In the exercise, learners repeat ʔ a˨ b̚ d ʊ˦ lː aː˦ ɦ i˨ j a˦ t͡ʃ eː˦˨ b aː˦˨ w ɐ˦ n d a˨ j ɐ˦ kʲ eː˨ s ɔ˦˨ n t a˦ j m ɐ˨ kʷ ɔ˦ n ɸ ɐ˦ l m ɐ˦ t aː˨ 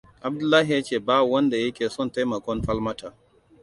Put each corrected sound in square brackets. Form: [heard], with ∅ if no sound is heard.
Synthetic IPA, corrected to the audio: ʔ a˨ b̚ d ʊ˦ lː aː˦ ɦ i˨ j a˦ t͡ʃ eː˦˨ b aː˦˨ w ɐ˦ n d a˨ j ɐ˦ kʲ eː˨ s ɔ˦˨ n t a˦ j m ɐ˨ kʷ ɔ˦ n ɸ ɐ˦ l m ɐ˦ t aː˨